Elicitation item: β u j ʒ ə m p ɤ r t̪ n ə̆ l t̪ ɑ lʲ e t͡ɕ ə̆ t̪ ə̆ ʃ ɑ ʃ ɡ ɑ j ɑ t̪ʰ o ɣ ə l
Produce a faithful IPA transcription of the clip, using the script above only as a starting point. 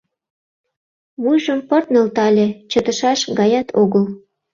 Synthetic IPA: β u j ʒ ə m p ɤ r t̪ n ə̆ l t̪ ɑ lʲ e t͡ɕ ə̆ t̪ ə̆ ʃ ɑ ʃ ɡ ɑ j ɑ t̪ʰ o ɣ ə l